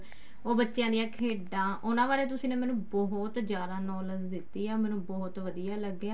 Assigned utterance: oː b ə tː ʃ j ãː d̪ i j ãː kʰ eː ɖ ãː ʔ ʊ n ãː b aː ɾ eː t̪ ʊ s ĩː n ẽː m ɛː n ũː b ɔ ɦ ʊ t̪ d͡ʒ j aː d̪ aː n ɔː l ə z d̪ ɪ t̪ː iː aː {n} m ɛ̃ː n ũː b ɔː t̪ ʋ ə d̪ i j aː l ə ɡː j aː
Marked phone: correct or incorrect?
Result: incorrect